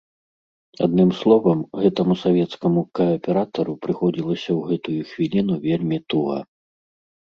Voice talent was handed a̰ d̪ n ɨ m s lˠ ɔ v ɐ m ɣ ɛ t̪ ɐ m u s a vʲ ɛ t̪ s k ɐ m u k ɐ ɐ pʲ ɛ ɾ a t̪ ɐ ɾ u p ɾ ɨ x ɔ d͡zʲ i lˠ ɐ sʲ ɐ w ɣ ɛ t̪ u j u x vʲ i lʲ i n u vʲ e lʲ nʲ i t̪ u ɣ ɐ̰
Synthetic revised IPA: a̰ d̪ n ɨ m s lˠ ɔ v ɐ m ɣ ɛ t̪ ɐ m u s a vʲ ɛ t̪ s k ɐ m u k ɐ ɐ pʲ ɛ ɾ a t̪ ɐ ɾ u p ɾ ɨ x ɔ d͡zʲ i lˠ ɐ sʲ ɐ w ɣ ɛ t̪ u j u x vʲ i lʲ i n u vʲ e lʲ mʲ i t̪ u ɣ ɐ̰